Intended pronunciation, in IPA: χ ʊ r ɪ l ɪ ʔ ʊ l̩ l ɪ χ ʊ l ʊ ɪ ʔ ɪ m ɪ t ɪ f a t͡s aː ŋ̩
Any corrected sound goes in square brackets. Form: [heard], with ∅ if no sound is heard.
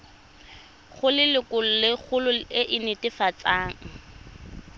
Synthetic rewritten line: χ ʊ [l] ɪ l ɪ [k] ʊ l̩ l ɪ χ ʊ l ʊ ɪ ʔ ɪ [n] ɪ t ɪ f a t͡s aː ŋ̩